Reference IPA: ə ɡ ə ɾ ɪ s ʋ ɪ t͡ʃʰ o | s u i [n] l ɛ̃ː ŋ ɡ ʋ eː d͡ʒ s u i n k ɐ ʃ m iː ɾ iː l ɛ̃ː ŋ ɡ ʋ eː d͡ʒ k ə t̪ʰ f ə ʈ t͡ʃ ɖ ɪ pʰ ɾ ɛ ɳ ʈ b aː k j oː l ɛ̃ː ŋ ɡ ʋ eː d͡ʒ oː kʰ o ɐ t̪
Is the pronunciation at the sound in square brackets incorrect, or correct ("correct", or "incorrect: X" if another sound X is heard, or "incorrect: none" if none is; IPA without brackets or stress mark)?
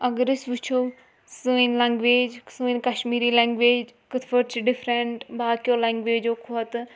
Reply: correct